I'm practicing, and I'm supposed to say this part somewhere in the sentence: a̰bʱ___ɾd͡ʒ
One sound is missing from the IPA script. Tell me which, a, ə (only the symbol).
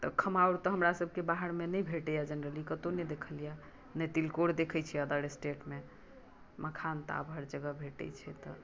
ə